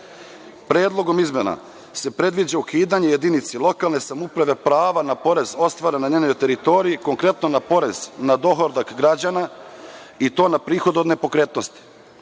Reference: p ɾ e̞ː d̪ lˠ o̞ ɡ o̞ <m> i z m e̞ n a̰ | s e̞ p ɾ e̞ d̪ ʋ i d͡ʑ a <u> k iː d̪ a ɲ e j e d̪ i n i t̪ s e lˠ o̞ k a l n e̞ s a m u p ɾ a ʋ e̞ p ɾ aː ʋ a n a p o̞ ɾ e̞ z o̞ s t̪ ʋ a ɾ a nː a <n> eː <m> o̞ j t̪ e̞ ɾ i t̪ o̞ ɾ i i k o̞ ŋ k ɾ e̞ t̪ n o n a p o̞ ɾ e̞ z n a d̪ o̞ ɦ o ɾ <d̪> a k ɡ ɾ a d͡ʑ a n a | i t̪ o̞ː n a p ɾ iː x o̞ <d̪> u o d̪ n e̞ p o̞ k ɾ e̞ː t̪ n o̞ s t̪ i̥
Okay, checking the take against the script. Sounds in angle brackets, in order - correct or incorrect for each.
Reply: correct, correct, incorrect, incorrect, correct, correct

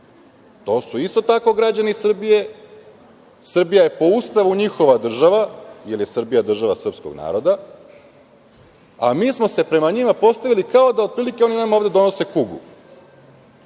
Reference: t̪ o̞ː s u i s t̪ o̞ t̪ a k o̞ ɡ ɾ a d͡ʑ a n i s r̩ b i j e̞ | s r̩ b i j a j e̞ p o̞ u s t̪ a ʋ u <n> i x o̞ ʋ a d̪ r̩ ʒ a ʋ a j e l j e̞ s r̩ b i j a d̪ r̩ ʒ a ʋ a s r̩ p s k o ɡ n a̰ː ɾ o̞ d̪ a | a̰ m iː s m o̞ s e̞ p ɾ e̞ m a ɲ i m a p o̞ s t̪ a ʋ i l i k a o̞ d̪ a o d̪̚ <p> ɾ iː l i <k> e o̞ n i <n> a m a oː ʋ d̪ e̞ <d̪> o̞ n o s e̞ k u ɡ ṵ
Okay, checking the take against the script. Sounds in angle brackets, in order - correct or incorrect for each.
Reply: incorrect, correct, correct, correct, correct

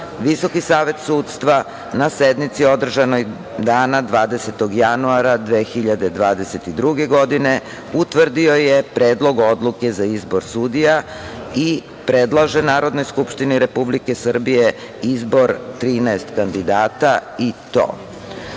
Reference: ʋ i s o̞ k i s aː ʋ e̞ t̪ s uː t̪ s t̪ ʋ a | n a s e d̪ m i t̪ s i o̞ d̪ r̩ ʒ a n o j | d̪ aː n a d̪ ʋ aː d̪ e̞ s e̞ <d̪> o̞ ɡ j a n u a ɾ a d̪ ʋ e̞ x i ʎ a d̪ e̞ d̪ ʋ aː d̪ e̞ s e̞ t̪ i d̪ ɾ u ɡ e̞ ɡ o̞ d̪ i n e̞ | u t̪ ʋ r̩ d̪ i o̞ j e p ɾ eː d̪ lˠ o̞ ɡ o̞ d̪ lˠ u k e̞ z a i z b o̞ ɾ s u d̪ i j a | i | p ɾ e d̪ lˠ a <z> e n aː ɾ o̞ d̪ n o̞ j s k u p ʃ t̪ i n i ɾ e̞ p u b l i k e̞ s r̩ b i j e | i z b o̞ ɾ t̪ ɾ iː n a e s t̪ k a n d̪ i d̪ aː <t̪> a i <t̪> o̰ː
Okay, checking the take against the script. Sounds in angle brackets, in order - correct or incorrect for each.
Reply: incorrect, incorrect, correct, correct

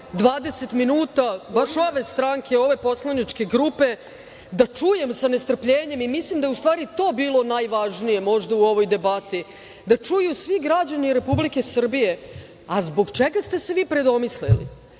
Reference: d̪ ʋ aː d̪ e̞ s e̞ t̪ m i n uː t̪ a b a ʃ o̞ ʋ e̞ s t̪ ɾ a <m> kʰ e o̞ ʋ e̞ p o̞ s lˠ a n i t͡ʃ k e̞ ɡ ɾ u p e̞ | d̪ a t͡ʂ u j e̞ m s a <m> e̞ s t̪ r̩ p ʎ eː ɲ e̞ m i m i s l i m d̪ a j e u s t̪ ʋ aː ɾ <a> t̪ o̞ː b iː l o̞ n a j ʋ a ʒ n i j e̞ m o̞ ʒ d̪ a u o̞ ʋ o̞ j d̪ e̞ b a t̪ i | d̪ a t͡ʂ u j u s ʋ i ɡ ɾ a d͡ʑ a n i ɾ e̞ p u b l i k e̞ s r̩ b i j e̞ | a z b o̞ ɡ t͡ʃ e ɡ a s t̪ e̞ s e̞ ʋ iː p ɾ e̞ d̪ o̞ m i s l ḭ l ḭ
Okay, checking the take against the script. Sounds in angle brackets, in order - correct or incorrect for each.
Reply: incorrect, incorrect, incorrect

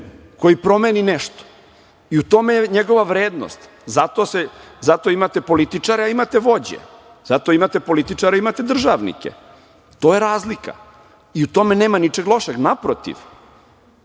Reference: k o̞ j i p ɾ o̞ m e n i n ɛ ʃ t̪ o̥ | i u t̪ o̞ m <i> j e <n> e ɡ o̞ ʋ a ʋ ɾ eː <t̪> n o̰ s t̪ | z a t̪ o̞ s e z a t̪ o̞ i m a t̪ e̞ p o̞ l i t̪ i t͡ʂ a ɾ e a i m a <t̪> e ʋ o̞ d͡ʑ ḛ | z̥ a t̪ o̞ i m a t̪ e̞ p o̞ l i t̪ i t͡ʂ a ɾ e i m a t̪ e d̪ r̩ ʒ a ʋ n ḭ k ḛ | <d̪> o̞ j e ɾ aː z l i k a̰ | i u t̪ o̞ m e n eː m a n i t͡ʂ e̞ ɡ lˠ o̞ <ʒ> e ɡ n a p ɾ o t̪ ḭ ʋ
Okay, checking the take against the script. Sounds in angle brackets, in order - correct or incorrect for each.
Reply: incorrect, incorrect, incorrect, correct, incorrect, incorrect

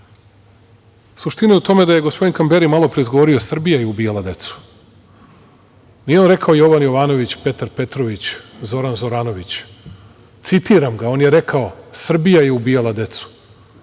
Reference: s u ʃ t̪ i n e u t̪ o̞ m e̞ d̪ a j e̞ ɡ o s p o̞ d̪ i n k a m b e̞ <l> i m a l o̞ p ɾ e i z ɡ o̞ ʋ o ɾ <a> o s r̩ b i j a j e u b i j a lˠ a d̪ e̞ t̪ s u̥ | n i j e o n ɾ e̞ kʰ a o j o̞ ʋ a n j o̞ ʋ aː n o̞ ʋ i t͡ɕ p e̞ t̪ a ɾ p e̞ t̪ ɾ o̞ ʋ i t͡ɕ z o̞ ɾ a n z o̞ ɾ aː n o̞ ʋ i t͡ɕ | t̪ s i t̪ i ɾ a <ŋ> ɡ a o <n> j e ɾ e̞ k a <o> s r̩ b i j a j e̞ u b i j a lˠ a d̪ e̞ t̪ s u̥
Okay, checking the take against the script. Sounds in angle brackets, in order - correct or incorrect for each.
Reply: incorrect, incorrect, incorrect, correct, correct

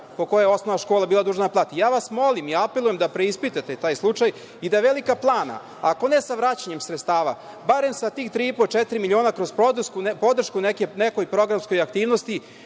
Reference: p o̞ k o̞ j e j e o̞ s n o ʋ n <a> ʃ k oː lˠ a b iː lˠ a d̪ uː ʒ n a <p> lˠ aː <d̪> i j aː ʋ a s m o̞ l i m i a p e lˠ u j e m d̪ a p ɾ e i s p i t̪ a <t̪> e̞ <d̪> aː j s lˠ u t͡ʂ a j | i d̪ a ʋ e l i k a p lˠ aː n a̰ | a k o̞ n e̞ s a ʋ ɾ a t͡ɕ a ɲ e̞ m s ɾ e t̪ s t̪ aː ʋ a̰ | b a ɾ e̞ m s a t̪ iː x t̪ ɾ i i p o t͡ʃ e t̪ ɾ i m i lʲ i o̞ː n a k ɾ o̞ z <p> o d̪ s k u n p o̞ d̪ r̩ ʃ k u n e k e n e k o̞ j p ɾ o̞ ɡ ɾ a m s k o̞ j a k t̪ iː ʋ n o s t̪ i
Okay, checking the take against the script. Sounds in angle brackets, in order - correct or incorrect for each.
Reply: correct, correct, incorrect, correct, incorrect, correct

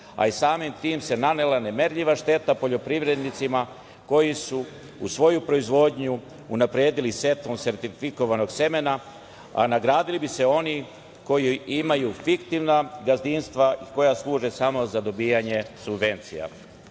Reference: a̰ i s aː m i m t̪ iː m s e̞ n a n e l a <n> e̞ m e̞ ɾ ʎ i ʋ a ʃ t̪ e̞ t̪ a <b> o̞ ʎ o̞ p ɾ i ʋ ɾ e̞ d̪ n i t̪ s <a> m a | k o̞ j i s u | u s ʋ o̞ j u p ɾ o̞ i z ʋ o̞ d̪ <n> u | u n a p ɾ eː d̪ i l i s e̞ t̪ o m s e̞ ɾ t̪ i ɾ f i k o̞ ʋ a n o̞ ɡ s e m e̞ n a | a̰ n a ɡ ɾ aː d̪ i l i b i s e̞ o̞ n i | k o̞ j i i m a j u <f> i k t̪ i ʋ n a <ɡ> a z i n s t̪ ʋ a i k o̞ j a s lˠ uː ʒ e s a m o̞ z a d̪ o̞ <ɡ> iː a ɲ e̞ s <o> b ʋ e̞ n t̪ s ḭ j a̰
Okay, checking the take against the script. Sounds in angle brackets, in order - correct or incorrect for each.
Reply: correct, incorrect, incorrect, incorrect, correct, correct, incorrect, incorrect

